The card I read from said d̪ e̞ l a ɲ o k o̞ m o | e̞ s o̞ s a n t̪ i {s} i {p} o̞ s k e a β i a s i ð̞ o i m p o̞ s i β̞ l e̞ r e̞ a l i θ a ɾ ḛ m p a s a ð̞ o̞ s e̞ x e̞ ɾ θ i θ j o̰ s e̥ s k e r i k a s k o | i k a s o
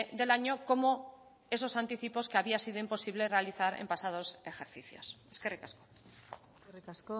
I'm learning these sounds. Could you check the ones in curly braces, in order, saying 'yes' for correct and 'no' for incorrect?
no, yes

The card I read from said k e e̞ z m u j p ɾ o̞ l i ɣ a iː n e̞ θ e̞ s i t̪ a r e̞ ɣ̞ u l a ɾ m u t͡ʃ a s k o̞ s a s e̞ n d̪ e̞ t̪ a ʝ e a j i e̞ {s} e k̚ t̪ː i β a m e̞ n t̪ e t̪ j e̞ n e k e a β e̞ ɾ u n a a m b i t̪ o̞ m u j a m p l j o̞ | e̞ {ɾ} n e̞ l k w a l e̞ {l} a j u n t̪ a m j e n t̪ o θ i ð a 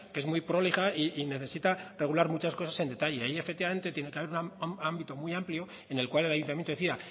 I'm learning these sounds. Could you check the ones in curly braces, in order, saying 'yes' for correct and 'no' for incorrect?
no, no, yes

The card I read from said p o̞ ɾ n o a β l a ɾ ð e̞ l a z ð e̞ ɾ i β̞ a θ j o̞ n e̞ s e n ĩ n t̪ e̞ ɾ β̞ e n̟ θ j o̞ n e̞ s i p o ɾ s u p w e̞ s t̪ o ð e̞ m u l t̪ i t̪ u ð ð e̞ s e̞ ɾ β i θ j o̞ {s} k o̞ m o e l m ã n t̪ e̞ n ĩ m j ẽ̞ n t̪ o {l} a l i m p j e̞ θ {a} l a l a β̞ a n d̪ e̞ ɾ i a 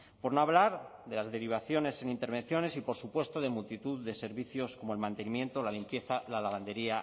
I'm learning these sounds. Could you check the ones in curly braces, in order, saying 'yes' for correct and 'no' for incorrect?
yes, yes, yes

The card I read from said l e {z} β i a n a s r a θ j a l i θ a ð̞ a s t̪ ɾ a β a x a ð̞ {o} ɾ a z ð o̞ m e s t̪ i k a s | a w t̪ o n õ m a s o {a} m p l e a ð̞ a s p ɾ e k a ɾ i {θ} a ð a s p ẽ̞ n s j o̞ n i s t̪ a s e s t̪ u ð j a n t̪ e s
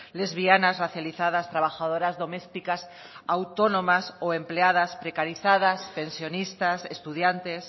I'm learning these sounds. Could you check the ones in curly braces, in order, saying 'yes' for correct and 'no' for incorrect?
yes, yes, no, yes

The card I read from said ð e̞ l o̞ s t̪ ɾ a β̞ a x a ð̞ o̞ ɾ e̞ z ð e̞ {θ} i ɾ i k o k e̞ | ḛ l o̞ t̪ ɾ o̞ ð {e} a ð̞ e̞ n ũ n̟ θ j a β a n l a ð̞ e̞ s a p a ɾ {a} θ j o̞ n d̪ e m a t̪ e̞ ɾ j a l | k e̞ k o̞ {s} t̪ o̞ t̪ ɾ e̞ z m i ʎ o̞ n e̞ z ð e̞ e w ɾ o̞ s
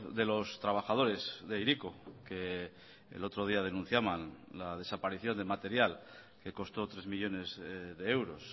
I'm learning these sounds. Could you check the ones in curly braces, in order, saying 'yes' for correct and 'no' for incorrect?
no, no, no, yes

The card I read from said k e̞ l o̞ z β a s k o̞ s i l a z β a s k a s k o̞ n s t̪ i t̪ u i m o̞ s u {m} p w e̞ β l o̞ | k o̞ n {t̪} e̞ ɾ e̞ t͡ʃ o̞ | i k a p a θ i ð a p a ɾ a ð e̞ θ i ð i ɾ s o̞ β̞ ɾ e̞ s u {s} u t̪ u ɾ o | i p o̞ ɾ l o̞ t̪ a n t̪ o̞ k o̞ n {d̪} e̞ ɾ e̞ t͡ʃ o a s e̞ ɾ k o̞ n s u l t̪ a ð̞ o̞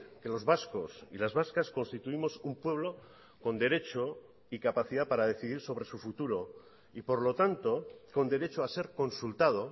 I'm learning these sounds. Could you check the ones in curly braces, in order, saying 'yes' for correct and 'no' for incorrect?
yes, no, no, yes

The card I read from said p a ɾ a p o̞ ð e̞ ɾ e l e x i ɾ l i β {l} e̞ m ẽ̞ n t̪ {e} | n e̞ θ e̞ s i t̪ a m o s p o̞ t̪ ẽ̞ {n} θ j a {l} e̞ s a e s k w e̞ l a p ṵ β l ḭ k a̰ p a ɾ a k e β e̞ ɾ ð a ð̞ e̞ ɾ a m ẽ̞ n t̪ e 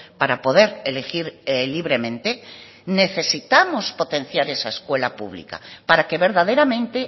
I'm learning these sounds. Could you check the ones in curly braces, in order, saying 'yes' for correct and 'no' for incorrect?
no, yes, yes, no

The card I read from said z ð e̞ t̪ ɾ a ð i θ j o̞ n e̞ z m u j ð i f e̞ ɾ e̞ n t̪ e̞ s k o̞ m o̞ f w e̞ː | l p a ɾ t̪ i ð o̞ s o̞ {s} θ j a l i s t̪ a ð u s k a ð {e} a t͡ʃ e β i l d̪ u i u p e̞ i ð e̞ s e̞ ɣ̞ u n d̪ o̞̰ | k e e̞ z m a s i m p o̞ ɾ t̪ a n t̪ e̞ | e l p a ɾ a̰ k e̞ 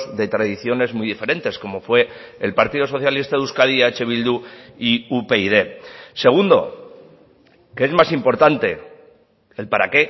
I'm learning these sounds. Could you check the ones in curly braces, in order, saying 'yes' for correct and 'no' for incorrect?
no, no

